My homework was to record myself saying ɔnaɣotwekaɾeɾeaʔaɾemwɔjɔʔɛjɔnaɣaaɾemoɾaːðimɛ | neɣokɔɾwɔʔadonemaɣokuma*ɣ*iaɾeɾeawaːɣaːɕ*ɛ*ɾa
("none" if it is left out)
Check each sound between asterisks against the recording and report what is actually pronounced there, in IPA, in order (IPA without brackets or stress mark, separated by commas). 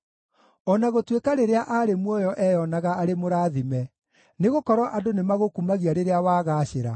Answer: ɣ, e